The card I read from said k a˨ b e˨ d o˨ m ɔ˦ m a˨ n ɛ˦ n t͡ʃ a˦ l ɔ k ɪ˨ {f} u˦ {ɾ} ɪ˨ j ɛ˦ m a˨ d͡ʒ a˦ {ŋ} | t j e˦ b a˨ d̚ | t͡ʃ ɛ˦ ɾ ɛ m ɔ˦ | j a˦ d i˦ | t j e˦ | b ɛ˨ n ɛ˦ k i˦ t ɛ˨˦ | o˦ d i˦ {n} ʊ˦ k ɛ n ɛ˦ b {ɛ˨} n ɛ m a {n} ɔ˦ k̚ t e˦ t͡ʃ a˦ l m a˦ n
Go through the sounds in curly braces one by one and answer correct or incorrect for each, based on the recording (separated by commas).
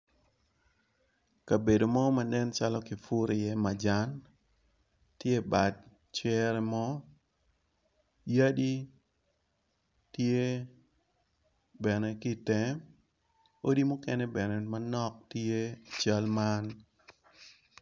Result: correct, correct, incorrect, incorrect, correct, correct